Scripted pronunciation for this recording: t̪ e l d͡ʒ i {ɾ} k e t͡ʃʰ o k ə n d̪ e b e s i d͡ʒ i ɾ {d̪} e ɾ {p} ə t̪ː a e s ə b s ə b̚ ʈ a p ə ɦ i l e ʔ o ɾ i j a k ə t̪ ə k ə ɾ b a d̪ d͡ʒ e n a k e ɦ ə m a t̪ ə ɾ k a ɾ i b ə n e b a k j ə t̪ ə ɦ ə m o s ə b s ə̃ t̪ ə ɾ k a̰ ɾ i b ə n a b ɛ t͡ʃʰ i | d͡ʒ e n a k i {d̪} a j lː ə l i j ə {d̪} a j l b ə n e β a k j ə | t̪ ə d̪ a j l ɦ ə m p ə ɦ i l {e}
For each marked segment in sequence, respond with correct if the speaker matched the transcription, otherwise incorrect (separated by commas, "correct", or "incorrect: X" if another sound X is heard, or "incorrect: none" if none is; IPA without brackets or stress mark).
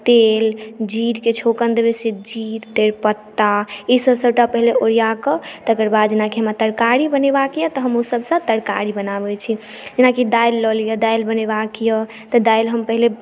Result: correct, incorrect: t̪, correct, correct, correct, correct